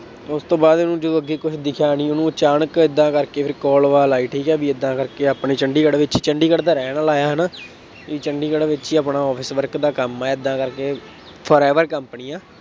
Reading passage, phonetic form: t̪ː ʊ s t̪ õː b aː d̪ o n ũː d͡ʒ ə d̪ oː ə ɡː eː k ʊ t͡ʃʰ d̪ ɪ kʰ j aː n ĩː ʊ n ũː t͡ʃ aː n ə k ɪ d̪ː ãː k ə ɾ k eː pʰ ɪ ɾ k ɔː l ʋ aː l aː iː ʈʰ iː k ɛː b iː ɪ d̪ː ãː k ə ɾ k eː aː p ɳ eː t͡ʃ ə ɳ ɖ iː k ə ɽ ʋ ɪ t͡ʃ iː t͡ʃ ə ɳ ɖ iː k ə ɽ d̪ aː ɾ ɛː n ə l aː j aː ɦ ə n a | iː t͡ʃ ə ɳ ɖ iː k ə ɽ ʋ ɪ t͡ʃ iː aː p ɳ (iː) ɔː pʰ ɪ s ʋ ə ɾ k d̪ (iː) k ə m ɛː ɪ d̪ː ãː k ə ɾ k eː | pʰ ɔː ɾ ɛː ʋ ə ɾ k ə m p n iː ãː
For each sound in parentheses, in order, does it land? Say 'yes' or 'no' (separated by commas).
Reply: no, no